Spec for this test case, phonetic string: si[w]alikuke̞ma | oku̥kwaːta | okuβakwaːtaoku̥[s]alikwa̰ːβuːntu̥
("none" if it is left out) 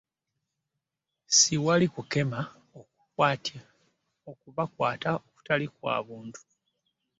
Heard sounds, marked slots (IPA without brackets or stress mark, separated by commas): w, t